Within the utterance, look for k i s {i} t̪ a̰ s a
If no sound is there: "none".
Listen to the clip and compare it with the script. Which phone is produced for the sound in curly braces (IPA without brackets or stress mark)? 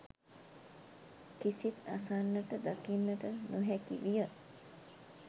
i